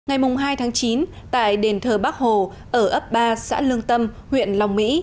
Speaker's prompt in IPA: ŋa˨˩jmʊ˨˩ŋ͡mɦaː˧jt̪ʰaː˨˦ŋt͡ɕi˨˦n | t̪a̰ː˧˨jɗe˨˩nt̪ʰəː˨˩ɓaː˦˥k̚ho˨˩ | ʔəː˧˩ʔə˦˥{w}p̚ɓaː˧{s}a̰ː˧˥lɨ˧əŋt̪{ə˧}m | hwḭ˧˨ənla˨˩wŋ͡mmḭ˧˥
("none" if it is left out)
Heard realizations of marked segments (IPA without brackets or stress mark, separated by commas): none, s, ə˧